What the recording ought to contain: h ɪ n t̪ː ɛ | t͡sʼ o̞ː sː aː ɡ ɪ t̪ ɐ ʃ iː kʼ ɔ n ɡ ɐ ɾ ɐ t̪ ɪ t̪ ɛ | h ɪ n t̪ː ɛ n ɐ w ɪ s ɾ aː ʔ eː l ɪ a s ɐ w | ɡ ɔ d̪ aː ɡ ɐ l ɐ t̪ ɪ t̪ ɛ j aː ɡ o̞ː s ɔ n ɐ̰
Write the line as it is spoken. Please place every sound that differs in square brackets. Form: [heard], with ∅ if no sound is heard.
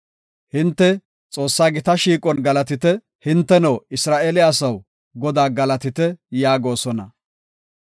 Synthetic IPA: h ɪ n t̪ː ɛ | t͡sʼ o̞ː sː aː ɡ ɪ t̪ ɐ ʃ iː kʼ ɔ n ɡ ɐ [l] ɐ t̪ ɪ t̪ ɛ | h ɪ n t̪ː ɛ n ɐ w ɪ s ɾ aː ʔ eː l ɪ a s ɐ w | ɡ ɔ d̪ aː ɡ ɐ l ɐ t̪ ɪ t̪ ɛ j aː ɡ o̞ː s ɔ n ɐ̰